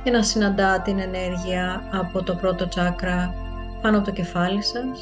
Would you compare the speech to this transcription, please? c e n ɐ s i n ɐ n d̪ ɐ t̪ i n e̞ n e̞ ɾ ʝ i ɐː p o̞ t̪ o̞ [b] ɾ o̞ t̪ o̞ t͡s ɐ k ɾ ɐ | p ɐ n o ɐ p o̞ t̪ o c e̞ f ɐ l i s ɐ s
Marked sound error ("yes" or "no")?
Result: yes